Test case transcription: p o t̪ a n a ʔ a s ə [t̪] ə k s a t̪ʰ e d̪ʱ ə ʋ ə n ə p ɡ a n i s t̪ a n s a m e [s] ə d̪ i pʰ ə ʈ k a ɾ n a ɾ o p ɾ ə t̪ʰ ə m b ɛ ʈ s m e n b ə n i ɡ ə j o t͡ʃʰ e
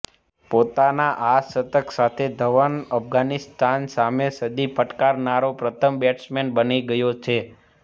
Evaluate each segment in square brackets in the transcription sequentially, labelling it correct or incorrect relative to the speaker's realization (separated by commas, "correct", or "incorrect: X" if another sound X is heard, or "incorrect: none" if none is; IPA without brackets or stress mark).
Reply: correct, correct